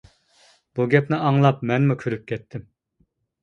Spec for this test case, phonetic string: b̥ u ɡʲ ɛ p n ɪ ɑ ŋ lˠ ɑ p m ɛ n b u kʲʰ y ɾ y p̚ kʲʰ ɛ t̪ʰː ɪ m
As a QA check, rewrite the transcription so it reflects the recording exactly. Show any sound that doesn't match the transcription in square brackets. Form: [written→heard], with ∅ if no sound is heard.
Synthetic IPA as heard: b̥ u ɡʲ ɛ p n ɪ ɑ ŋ lˠ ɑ p m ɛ n [b→m] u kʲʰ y ɾ y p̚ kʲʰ ɛ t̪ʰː ɪ m